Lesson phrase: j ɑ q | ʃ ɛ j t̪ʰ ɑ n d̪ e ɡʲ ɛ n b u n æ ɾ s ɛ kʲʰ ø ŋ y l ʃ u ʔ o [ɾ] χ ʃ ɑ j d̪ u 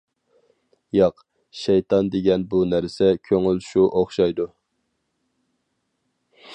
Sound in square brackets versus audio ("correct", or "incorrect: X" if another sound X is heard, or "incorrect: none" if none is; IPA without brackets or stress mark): incorrect: none